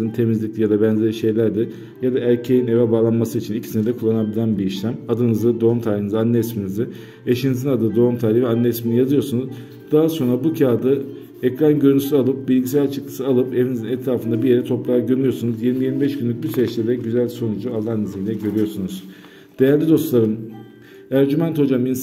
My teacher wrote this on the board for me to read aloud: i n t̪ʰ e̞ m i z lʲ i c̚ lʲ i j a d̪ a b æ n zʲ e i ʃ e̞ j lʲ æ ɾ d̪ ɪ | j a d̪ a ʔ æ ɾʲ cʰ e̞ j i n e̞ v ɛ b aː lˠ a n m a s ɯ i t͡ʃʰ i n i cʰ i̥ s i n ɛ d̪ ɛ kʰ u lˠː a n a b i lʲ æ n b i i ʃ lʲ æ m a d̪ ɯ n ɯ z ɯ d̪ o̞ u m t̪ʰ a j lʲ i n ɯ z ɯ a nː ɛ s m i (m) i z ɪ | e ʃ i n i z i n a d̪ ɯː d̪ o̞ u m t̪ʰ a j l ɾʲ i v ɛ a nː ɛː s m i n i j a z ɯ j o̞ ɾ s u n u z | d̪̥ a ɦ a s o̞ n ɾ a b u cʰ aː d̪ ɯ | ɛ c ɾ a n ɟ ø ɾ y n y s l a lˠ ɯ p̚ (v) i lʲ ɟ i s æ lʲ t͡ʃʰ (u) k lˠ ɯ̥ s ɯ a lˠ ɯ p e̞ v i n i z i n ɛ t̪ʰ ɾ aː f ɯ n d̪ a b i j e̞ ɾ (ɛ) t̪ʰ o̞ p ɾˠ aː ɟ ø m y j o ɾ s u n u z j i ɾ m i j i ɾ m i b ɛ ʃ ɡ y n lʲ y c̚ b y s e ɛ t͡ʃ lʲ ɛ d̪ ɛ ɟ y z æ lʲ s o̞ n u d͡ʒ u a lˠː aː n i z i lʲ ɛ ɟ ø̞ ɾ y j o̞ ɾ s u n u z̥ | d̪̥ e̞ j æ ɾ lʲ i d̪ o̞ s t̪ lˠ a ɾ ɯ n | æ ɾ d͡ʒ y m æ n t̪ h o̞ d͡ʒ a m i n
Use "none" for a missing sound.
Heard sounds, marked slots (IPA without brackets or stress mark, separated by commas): n, b, ɯ, ɛ